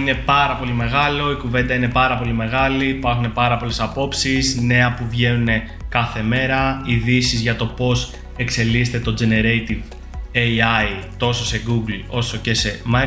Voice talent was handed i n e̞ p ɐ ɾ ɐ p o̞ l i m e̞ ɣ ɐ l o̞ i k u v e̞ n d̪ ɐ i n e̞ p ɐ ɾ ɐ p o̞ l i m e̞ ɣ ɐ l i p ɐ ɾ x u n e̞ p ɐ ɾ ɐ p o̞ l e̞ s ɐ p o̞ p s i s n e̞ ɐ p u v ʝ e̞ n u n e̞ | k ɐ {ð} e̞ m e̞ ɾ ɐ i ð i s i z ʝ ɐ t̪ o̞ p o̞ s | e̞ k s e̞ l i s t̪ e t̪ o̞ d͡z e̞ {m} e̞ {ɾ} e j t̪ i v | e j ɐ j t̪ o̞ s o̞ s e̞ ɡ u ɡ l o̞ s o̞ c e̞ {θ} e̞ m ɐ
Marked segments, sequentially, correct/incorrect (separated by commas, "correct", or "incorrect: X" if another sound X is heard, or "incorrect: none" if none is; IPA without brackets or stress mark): incorrect: θ, incorrect: n, correct, incorrect: s